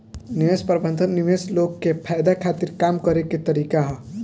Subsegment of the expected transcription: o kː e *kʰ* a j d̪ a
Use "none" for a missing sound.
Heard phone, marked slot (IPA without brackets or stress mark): pʰ